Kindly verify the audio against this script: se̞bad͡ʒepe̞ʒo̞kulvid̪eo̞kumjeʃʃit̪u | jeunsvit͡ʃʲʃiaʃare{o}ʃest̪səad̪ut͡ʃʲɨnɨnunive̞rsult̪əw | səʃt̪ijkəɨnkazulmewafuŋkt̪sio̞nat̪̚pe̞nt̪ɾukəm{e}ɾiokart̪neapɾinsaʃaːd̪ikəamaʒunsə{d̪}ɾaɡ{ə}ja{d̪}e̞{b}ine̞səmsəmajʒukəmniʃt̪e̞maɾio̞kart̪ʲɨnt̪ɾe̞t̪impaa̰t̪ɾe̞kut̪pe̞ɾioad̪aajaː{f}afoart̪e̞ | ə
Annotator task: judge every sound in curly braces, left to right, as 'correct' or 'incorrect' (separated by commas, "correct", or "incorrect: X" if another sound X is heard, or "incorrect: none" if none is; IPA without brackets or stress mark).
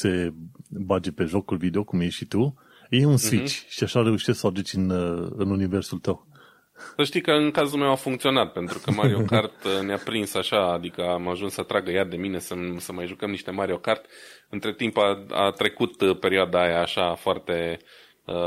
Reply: incorrect: u, incorrect: a, incorrect: t̪, correct, correct, incorrect: m, incorrect: ʃ